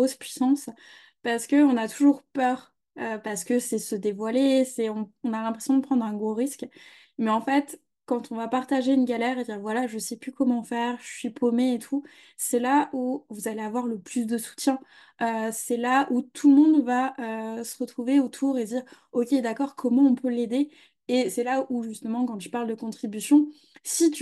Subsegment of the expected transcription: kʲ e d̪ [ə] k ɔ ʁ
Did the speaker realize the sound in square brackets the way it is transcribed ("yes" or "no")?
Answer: no